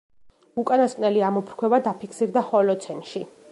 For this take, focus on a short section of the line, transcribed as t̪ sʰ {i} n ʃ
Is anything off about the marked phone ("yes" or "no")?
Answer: yes